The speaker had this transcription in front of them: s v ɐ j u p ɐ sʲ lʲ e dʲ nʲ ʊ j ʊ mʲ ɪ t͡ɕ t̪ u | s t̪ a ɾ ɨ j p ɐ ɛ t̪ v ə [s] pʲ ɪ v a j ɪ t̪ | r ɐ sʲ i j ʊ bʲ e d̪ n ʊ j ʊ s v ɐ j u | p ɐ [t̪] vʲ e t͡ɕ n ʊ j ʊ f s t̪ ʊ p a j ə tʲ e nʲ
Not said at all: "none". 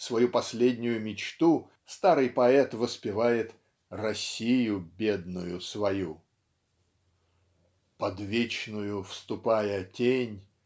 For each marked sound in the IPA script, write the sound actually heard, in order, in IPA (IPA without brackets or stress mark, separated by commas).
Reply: s, d̪